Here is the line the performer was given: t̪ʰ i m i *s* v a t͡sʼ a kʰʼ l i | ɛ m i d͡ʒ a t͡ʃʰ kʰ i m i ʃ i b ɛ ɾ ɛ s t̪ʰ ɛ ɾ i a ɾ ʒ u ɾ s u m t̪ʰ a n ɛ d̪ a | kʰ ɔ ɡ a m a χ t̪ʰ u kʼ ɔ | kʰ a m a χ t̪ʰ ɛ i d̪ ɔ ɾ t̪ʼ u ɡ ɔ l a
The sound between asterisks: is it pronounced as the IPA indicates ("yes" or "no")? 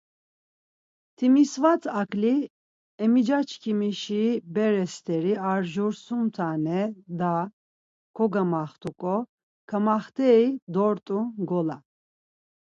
yes